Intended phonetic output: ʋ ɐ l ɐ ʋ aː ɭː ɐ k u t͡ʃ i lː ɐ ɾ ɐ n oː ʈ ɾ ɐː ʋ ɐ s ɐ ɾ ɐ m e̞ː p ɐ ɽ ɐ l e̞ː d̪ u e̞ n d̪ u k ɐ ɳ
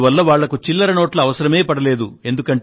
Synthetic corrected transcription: ʋ ɐ lː ɐ ʋ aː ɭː ɐ k u t͡ʃ i lː ɐ ɾ ɐ n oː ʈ l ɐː ʋ ɐ s ɐ ɾ ɐ m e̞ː p ɐ ɽ ɐ l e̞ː d̪ u e̞ n d̪ u k ɐ ɳ